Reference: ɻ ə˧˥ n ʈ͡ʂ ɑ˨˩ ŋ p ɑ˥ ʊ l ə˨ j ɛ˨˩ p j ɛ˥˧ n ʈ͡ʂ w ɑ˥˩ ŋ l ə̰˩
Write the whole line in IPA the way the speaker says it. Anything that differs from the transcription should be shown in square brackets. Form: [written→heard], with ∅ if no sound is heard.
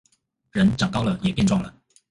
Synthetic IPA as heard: ɻ ə˧˥ n ʈ͡ʂ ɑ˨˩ ŋ [p→k] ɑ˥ ʊ l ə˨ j ɛ˨˩ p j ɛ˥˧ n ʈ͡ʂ w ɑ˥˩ ŋ l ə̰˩